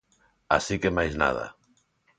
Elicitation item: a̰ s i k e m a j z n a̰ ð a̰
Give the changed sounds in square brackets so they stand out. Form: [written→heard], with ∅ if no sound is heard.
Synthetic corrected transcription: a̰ s i k e m a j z n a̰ ð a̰